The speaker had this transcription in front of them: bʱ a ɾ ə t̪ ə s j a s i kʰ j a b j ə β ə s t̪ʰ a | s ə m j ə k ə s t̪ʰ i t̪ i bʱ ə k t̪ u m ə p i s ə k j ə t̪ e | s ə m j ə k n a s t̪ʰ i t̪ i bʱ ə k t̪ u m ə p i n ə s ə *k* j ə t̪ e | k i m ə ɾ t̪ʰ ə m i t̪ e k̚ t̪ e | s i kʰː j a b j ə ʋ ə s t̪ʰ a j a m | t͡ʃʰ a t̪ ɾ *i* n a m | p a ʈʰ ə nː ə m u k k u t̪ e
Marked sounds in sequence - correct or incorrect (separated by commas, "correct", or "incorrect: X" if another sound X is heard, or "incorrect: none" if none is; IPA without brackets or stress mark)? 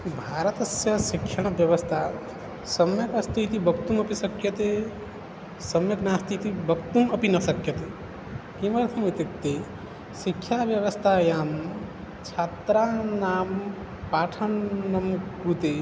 correct, incorrect: a